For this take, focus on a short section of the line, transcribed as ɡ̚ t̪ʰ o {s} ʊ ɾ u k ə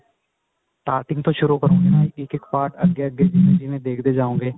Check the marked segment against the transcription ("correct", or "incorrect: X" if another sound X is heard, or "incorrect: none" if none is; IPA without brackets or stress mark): incorrect: ʃ